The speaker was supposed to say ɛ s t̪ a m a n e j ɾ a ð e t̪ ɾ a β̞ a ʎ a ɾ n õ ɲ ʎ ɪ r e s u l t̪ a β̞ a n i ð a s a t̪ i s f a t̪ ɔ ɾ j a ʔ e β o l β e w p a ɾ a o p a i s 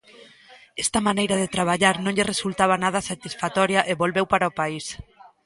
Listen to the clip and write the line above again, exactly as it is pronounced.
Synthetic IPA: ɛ s t̪ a m a n e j ɾ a ð e t̪ ɾ a β̞ a ʎ a ɾ n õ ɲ ʎ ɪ r e s u l t̪ a β̞ a n a ð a s a t̪ i s f a t̪ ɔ ɾ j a ʔ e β o l β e w p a ɾ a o p a i s